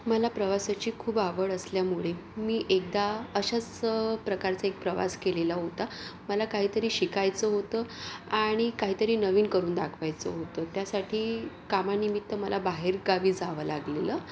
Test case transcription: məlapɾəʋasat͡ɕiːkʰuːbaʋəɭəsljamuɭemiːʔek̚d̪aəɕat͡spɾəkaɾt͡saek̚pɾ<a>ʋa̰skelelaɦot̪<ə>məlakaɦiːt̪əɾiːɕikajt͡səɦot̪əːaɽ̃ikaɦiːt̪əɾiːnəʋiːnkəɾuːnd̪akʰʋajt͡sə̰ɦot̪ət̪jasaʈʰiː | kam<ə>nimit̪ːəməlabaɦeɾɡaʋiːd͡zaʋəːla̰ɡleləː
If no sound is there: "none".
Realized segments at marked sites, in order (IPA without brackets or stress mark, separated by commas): ə, a, a